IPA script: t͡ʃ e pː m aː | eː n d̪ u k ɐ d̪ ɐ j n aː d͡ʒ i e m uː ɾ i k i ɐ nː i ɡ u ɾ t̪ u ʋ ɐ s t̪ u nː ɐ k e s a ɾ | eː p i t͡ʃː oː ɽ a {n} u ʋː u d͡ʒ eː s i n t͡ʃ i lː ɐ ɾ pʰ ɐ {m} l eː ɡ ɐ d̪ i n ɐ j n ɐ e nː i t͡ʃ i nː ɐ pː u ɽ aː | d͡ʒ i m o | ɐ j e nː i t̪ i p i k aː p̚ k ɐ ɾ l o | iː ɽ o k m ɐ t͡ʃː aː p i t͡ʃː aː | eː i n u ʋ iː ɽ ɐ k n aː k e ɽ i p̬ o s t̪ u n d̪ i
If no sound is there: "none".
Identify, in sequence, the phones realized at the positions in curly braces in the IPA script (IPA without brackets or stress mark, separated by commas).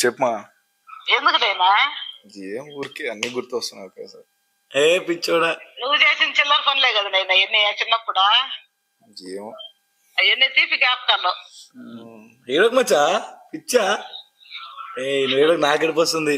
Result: n, n